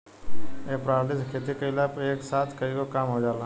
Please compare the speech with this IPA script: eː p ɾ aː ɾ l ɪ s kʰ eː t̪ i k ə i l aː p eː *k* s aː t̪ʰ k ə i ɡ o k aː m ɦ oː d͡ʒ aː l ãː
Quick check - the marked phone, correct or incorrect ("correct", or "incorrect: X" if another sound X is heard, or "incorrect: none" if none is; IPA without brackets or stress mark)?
correct